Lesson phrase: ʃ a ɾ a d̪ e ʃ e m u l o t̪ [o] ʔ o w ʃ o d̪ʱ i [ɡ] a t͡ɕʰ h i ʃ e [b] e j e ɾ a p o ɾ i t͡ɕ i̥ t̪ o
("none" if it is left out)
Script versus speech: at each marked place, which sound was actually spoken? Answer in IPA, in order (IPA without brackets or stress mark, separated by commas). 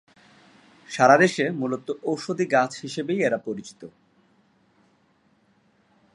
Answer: o, ɡ, b